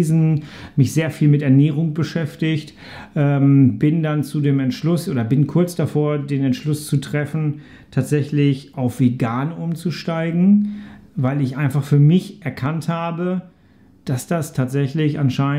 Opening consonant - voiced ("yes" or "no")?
yes